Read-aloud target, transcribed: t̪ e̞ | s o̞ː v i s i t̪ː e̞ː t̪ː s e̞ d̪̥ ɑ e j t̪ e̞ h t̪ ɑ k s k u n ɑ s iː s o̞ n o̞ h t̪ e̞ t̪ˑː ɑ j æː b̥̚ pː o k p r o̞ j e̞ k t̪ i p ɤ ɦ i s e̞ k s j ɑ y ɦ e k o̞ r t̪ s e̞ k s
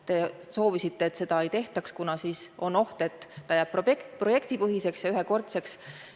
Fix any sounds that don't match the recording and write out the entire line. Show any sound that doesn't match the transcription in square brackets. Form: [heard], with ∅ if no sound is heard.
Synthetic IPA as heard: t̪ e̞ | s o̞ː v i s i t̪ː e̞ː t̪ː s e̞ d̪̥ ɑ e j t̪ e̞ h t̪ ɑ k s k u n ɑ s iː s o̞ n o̞ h t̪ e̞ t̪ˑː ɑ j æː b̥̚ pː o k p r o̞ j e̞ k t̪ i p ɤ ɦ i s e̞ k s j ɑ y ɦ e k o̞ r t̪ s e̞ k s

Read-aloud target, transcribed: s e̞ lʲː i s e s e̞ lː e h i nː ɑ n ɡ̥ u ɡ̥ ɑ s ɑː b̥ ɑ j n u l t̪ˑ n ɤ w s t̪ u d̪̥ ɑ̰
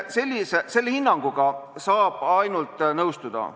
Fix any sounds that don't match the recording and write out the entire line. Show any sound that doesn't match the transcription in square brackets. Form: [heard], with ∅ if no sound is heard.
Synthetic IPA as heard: s e̞ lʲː i s e s e̞ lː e h i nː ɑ [ŋ] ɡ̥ u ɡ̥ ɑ s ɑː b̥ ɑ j n u l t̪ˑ n ɤ w s t̪ u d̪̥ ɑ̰

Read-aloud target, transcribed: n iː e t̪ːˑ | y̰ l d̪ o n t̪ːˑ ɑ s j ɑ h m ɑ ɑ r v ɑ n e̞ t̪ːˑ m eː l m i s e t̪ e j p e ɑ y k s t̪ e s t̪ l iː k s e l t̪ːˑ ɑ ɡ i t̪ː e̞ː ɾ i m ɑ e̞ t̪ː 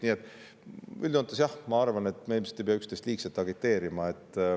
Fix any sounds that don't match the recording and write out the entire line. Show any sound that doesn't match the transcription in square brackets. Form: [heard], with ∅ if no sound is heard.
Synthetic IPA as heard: n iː e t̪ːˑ | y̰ l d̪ o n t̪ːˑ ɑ s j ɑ h m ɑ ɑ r v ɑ n e̞ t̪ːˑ m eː l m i s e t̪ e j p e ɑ y k s t̪ e s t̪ l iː k s e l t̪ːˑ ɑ ɡ i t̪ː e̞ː ɾ i m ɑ e̞ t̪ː

